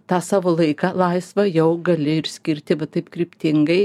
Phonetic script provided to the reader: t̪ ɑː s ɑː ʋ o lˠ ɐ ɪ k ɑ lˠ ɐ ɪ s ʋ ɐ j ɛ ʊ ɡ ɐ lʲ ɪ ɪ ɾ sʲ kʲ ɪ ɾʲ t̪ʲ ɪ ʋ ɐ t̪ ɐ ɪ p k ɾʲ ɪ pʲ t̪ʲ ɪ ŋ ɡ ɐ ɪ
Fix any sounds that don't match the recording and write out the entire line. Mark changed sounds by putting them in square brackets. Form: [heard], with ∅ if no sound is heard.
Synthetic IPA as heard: t̪ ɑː s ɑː ʋ o lˠ ɐ ɪ k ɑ lˠ ɐ ɪ s ʋ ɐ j ɛ ʊ ɡ ɐ lʲ ɪ ɪ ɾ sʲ kʲ ɪ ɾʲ t̪ʲ ɪ ʋ ɐ t̪ ɐ ɪ p k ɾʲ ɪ pʲ t̪ʲ ɪ ŋ ɡ ɐ ɪ

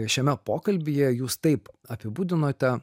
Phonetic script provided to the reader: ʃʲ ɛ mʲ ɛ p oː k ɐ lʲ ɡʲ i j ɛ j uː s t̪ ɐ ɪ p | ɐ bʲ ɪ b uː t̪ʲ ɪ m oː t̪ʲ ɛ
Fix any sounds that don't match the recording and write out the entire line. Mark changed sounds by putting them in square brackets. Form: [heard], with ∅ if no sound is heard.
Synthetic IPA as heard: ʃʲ ɛ mʲ ɛ p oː k ɐ lʲ [bʲ] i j ɛ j uː s t̪ ɐ ɪ p | ɐ [pʲ] ɪ b uː [d̪ʲ] ɪ [n] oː t̪ʲ ɛ

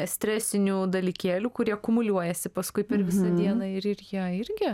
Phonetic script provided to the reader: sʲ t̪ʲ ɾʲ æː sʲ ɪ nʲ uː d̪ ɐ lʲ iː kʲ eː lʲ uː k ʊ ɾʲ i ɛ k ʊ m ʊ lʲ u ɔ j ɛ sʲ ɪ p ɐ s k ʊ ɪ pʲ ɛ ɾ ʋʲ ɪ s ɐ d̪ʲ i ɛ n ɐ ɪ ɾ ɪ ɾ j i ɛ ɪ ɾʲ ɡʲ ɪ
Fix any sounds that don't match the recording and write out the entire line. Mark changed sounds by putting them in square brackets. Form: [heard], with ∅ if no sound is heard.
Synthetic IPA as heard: sʲ t̪ʲ ɾʲ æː sʲ ɪ nʲ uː d̪ ɐ lʲ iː kʲ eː lʲ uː k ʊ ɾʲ i ɛ k ʊ m ʊ lʲ u ɔ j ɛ sʲ ɪ p ɐ s k ʊ ɪ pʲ ɛ ɾ ʋʲ ɪ s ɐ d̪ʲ i ɛ n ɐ ɪ ɾ ɪ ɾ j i ɛ ɪ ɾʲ ɡʲ ɪ

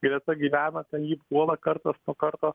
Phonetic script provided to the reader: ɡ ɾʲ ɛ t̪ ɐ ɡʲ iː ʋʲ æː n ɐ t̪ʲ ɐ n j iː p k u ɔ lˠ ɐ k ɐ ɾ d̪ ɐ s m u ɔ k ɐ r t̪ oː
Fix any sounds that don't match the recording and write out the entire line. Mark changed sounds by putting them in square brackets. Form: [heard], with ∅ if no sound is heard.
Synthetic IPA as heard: ɡ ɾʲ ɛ t̪ ɐ ɡʲ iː ʋʲ æː n ɐ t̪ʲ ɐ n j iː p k u ɔ lˠ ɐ k ɐ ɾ [t̪] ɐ s [n] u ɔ k ɐ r t̪ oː

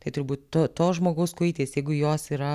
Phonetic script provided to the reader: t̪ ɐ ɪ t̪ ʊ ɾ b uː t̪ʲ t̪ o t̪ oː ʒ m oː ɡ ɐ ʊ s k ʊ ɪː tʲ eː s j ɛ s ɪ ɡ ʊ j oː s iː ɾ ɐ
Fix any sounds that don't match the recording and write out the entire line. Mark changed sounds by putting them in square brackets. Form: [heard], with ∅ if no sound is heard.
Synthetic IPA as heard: t̪ ɐ ɪ t̪ ʊ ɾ b uː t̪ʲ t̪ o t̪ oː ʒ m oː ɡ ɐ ʊ s k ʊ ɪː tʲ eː s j ɛ [∅] ɪ ɡ ʊ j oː s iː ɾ ɐ

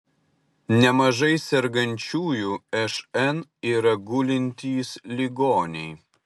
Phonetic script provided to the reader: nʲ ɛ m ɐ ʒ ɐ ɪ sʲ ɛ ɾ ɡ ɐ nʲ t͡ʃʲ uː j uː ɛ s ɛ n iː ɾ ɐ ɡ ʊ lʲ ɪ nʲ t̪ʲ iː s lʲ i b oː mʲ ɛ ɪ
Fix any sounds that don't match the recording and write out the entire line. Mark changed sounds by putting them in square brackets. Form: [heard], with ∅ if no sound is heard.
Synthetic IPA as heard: nʲ ɛ m ɐ ʒ ɐ ɪ sʲ ɛ ɾ ɡ ɐ nʲ t͡ʃʲ uː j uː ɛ [ʃ] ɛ n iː ɾ ɐ ɡ ʊ lʲ ɪ nʲ t̪ʲ iː s lʲ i [ɡ] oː [nʲ] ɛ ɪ

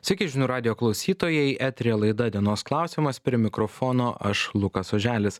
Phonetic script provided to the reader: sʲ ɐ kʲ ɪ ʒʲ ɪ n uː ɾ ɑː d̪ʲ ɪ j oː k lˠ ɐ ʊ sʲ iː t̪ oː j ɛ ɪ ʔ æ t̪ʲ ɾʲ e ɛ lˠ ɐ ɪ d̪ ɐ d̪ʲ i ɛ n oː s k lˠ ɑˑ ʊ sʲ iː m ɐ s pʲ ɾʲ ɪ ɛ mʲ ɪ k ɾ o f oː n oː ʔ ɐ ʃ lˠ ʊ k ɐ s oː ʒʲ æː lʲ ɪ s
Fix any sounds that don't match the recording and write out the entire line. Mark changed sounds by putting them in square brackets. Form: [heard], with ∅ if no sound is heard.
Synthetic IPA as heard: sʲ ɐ kʲ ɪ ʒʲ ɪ n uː ɾ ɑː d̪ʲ ɪ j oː k lˠ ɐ ʊ sʲ iː t̪ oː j ɛ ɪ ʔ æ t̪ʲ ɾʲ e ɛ lˠ ɐ ɪ d̪ ɐ d̪ʲ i ɛ n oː s k lˠ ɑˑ ʊ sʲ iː m ɐ s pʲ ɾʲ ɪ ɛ mʲ ɪ k ɾ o f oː n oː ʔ ɐ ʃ lˠ ʊ k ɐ s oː ʒʲ æː lʲ ɪ s

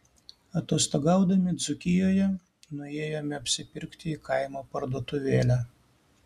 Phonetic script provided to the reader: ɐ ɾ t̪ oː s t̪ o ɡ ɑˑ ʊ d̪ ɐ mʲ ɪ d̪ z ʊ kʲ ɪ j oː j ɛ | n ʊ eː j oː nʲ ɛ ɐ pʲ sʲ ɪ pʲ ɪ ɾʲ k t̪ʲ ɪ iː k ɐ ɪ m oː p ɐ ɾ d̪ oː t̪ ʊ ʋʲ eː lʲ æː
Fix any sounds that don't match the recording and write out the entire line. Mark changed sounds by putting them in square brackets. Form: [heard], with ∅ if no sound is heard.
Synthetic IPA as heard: ɐ [∅] t̪ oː s t̪ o ɡ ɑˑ ʊ d̪ ɐ mʲ ɪ d̪ z ʊ kʲ ɪ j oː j ɛ | n ʊ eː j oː [mʲ] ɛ ɐ pʲ sʲ ɪ pʲ ɪ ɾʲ k t̪ʲ ɪ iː k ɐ ɪ m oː p ɐ ɾ d̪ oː t̪ ʊ ʋʲ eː lʲ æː

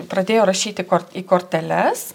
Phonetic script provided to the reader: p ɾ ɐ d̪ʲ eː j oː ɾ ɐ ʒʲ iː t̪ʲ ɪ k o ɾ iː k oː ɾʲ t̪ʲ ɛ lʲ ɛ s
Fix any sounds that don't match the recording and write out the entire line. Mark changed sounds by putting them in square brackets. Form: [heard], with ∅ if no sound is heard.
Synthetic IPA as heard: p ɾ ɐ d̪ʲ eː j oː ɾ ɐ [ʃʲ] iː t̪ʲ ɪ k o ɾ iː k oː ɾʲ t̪ʲ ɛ lʲ ɛ s

